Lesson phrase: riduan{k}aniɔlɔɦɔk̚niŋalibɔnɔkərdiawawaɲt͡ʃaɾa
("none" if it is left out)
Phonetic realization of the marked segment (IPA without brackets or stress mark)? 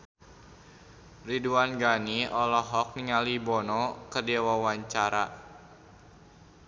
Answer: ɡ